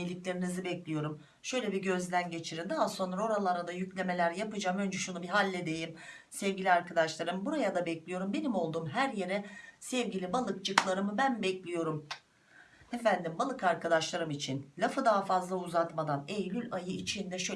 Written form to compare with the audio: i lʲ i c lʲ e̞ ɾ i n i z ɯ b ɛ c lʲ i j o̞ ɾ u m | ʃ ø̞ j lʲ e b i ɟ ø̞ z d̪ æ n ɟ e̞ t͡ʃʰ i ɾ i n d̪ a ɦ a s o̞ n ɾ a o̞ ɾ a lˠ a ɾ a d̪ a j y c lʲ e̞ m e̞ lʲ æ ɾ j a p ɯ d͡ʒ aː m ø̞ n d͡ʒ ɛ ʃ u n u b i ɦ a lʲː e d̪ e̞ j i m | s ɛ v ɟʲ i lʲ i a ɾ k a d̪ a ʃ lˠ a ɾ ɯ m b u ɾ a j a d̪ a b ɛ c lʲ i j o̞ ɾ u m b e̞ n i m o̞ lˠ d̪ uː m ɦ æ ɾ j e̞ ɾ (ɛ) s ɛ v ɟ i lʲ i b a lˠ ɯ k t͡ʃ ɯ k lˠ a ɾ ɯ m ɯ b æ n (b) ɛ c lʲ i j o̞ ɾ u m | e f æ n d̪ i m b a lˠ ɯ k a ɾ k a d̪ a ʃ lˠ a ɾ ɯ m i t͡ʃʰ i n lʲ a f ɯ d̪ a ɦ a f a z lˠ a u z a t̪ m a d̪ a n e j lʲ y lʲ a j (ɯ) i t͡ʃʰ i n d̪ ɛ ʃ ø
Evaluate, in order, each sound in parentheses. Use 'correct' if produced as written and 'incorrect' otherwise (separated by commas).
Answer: correct, correct, correct